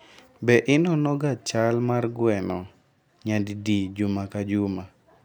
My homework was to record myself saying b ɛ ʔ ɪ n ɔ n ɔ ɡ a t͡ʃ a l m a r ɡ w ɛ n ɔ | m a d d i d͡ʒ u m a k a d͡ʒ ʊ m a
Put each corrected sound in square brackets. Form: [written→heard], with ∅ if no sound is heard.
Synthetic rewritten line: b ɛ ʔ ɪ n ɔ n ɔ ɡ a t͡ʃ a l m a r ɡ w ɛ n ɔ | [m→ɲ] a d d i d͡ʒ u m a k a d͡ʒ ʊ m a